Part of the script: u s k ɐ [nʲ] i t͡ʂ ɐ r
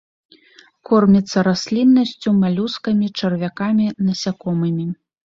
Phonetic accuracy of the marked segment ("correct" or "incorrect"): incorrect